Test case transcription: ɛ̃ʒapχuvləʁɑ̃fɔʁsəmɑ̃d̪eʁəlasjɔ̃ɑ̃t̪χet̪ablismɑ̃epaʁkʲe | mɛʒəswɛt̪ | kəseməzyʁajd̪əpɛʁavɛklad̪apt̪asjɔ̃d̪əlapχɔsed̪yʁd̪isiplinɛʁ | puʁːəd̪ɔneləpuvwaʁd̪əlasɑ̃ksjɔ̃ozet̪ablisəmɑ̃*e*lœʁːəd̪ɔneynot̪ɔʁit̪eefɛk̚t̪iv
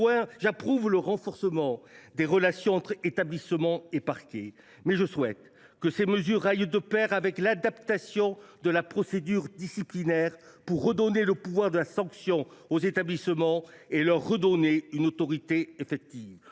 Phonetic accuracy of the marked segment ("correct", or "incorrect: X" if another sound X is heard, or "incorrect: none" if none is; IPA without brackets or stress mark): correct